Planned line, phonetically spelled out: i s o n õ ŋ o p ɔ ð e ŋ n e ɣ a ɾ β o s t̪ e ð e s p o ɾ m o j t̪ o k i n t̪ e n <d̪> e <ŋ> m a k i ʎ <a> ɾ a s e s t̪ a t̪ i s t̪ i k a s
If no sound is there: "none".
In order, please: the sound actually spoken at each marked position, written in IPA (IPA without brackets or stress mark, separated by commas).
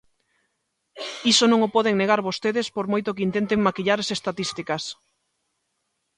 t̪, ŋ, a